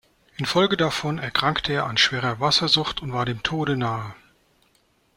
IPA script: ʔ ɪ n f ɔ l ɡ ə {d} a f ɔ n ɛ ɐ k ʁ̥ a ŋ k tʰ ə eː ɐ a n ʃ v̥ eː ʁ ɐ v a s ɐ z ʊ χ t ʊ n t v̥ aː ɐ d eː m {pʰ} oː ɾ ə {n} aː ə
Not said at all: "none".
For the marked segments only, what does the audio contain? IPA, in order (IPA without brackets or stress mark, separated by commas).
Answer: d, tʰ, n